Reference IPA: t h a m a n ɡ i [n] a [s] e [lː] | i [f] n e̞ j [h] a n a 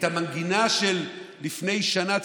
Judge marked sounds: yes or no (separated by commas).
yes, no, yes, yes, no